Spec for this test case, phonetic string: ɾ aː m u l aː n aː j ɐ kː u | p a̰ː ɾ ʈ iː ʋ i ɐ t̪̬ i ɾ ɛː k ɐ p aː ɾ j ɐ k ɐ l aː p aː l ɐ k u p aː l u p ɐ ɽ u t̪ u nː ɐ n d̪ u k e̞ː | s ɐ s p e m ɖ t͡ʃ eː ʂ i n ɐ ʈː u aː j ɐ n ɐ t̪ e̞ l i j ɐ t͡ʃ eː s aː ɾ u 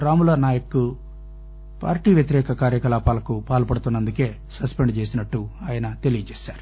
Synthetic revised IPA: ɾ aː m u l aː n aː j ɐ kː u | p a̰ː ɾ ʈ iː ʋ j ɐ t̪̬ i ɾ ɛː k ɐ k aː ɾ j ɐ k ɐ l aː p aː l ɐ k u p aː l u p ɐ ɽ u t̪ u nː ɐ n d̪ u k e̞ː | s ɐ s p e ɳ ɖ t͡ʃ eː s i n ɐ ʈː u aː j ɐ n ɐ t̪ e̞ l i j ɐ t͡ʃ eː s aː ɾ u